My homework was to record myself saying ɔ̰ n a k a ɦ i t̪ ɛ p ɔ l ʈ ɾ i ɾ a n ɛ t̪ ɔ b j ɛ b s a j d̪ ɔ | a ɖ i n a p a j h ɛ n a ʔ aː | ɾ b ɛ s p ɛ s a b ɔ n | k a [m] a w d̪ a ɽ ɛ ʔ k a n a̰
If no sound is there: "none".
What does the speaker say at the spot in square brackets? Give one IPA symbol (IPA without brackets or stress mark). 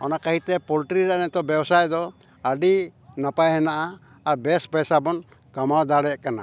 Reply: m